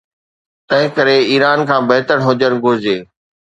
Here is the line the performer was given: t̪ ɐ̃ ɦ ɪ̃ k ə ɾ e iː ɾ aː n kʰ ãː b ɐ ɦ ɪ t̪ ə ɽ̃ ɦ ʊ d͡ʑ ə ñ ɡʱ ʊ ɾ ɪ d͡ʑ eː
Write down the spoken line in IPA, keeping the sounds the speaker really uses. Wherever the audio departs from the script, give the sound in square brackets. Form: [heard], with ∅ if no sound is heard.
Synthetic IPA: t̪ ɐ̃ ɦ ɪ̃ k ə ɾ e iː ɾ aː n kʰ ãː b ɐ ɦ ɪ t̪ ə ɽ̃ ɦ ʊ d͡ʑ ə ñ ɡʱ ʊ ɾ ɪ d͡ʑ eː